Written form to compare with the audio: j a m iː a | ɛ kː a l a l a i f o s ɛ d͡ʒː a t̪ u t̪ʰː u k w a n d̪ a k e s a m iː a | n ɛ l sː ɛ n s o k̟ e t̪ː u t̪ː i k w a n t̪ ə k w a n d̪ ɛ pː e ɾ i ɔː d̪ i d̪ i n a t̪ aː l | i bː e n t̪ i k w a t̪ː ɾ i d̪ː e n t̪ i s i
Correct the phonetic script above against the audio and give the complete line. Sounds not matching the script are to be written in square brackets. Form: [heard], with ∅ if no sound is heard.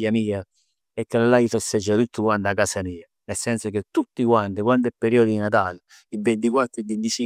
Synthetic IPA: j a m iː a | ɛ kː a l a l a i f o s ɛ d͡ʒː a t̪ u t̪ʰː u k w a n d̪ a k [a] s a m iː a | n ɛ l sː ɛ n s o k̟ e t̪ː u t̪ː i k w a n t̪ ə k w a n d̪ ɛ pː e ɾ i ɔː d̪ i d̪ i n a t̪ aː l | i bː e n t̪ i k w a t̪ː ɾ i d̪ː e n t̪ i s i